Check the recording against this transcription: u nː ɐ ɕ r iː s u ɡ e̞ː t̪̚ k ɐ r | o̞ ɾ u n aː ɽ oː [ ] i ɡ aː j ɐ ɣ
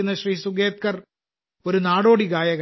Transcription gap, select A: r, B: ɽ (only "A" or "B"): B